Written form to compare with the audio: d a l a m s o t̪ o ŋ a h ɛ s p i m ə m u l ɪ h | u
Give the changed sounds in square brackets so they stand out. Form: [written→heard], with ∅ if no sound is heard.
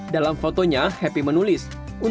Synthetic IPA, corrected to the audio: d a l a m [s→f] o t̪ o [ŋ→ɲ] a h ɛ [s→∅] p i m ə [m→n] u l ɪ [h→s] | u